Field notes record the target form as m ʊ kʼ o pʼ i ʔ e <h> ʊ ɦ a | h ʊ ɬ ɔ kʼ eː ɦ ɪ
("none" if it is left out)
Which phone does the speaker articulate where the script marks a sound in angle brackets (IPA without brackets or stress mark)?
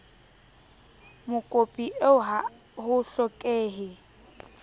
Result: none